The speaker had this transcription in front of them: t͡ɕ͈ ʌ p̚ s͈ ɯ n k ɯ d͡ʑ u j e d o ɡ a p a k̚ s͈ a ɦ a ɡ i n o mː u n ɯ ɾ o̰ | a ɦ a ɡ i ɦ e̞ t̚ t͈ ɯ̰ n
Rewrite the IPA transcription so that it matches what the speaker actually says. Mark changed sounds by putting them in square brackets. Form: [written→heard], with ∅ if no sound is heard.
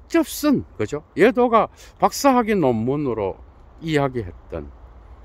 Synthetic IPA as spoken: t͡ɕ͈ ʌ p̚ s͈ ɯ n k ɯ d͡ʑ [u→o] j e d o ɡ a p a k̚ s͈ a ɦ a ɡ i n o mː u n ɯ ɾ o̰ | [a→i] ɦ a ɡ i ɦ e̞ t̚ t͈ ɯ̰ n